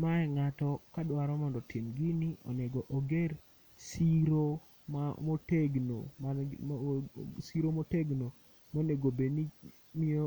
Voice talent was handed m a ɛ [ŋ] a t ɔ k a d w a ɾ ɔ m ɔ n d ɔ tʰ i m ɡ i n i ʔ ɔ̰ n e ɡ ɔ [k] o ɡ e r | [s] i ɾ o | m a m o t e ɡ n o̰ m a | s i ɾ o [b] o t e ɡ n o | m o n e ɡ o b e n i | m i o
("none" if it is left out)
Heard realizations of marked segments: ŋ, ʔ, s, m

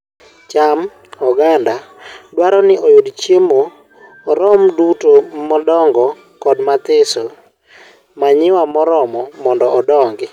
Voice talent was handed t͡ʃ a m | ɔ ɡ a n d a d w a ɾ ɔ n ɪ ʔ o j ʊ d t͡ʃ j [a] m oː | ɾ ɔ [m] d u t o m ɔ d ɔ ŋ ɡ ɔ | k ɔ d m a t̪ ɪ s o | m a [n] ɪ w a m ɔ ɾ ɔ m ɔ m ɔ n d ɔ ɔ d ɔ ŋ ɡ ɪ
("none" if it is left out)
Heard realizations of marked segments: e, m, ɲ

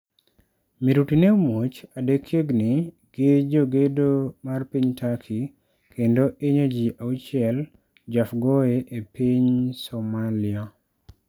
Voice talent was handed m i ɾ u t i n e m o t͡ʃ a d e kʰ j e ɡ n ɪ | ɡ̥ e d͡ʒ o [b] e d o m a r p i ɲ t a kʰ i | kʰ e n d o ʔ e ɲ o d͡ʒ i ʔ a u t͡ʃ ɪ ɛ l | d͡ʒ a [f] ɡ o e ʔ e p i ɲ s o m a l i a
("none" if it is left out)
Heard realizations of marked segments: ɡ, f

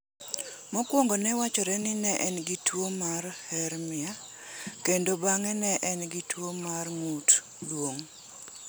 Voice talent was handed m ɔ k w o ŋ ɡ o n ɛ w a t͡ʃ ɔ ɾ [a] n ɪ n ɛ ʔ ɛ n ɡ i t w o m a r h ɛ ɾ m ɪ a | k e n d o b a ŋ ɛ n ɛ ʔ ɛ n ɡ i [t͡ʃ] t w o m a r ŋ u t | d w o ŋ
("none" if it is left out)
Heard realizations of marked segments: ɛ, none

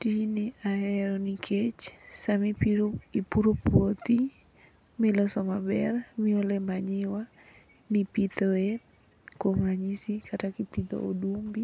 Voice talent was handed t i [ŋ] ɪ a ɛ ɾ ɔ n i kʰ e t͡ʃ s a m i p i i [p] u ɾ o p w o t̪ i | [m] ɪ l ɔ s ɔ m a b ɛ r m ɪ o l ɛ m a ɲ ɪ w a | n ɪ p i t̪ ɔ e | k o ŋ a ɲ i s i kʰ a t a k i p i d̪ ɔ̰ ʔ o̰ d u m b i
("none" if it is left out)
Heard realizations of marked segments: n, p, m

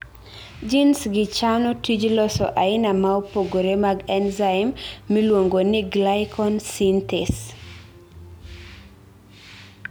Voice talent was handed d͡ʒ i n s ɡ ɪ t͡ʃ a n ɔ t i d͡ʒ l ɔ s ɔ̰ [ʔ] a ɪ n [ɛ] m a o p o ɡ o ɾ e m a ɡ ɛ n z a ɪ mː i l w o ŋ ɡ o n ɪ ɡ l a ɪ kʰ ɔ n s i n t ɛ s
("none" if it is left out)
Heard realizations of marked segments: ʔ, a

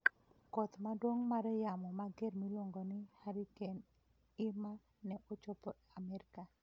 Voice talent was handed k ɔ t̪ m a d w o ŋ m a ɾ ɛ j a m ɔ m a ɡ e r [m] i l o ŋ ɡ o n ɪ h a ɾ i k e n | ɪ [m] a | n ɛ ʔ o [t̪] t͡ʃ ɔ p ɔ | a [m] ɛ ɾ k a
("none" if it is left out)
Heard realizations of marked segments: m, m, none, m

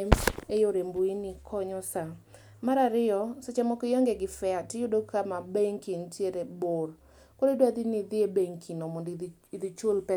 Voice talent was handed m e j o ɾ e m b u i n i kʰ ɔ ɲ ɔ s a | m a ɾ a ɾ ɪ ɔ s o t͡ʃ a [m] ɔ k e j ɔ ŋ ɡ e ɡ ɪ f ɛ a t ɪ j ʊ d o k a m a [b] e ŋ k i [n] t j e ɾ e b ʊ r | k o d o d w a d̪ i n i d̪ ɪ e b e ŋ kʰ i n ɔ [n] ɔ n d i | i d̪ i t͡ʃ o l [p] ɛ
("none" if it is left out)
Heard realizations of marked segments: m, b, n, m, p

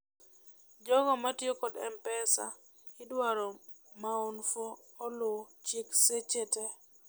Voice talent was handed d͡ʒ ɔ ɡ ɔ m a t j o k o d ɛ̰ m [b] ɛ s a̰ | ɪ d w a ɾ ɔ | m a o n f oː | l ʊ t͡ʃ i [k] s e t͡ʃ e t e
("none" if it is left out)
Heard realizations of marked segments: p, k

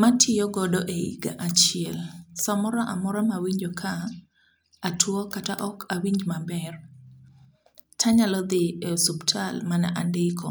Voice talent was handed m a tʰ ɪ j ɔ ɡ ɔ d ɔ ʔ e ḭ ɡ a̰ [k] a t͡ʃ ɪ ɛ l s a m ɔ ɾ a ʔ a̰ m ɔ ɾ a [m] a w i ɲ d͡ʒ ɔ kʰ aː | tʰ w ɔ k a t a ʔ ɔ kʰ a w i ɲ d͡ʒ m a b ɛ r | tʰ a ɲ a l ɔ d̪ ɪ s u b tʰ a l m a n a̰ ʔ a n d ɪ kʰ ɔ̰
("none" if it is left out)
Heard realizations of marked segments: ʔ, m

